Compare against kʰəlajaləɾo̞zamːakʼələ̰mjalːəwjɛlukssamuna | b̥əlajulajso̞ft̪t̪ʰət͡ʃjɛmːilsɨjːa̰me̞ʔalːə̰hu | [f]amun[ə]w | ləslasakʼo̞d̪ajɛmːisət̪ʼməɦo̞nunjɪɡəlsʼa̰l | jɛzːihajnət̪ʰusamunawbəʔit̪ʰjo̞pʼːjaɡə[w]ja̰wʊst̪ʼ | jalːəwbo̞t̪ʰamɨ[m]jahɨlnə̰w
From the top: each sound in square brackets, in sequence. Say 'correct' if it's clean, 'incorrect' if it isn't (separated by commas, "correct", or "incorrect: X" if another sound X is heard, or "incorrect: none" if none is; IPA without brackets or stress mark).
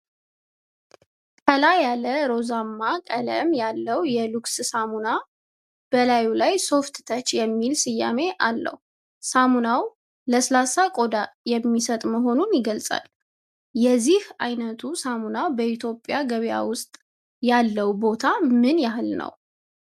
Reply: incorrect: s, incorrect: a, incorrect: β, incorrect: n